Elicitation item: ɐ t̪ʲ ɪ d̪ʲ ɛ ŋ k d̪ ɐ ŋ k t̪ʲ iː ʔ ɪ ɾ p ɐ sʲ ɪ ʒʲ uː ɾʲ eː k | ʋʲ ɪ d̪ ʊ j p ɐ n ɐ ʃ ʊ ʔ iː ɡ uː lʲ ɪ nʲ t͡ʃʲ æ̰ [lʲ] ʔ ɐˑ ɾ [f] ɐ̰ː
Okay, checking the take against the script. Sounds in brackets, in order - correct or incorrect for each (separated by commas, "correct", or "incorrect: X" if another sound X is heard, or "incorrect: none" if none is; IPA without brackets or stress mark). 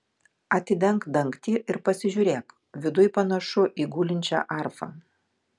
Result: incorrect: none, correct